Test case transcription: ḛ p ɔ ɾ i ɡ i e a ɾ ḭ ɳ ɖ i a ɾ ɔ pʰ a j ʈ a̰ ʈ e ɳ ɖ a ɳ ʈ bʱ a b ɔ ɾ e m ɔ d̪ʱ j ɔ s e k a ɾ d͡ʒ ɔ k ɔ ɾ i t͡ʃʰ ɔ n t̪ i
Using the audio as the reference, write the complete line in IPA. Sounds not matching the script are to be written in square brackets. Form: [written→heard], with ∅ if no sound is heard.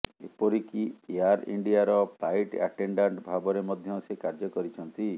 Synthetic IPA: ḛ p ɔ ɾ i [ɡ→k] i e a ɾ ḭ ɳ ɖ i a ɾ ɔ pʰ a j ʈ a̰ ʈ e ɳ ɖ a ɳ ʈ bʱ a b ɔ ɾ e m ɔ d̪ʱ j ɔ s e k a ɾ d͡ʒ ɔ k ɔ ɾ i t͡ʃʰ ɔ n t̪ i